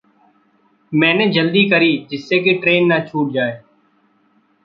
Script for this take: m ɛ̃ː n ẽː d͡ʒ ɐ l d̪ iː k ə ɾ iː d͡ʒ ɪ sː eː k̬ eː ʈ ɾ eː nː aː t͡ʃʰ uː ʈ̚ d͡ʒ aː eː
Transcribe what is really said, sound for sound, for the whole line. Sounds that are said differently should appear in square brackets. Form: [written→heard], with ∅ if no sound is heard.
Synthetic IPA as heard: m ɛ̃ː n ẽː d͡ʒ [ɐ→ə] l d̪ iː k ə ɾ iː d͡ʒ ɪ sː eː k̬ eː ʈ ɾ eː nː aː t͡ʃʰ uː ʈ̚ d͡ʒ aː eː